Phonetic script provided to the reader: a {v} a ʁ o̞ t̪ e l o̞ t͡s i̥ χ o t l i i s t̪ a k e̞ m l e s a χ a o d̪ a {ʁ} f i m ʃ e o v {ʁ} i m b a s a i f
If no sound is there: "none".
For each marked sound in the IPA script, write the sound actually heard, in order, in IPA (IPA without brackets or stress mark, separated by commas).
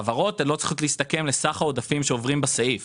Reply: v, none, ʁ